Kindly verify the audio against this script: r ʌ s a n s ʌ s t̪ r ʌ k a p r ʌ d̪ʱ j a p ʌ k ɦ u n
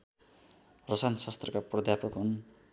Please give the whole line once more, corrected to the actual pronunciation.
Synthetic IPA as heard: r ʌ s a n s ʌ s t̪ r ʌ k a p r ʌ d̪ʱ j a p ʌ k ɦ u n